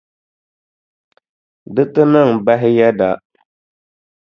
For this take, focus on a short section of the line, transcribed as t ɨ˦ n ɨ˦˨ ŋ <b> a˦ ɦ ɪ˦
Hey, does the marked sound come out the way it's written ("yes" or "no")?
yes